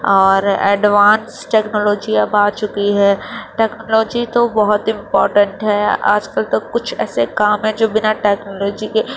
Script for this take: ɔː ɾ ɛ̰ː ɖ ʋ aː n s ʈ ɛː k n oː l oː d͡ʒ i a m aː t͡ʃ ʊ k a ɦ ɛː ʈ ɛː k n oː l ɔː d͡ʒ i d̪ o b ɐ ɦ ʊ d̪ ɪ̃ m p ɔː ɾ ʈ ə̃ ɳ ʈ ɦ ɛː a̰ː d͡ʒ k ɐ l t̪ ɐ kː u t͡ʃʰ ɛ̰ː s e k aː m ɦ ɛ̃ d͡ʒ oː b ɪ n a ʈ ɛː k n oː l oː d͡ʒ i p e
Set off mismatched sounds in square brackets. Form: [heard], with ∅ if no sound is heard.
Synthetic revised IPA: ɔː ɾ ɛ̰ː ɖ ʋ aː n s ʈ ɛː k n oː l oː d͡ʒ i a [b] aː t͡ʃ ʊ k [i] ɦ ɛː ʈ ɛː k n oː l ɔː d͡ʒ i [t̪] o b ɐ ɦ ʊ [t̪] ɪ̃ m p ɔː ɾ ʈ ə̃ ɳ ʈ ɦ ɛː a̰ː d͡ʒ k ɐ l t̪ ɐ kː [ʊ] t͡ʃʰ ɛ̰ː s e k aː m ɦ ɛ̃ d͡ʒ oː b ɪ n a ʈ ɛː k n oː l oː d͡ʒ i [k] e